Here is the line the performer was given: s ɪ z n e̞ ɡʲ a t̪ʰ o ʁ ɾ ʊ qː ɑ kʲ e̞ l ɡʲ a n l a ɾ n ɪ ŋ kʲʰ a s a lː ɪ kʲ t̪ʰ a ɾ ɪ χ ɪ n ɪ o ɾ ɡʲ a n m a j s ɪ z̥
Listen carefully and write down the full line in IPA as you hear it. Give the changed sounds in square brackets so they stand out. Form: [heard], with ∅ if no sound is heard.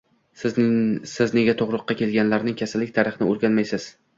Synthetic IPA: s ɪ z n e̞ ɡʲ a t̪ʰ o ʁ ɾ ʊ qː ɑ kʲ e̞ l ɡʲ a n l a ɾ n ɪ ŋ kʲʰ a s a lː ɪ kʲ t̪ʰ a ɾ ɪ χ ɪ n ɪ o ɾ ɡʲ a n m a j s ɪ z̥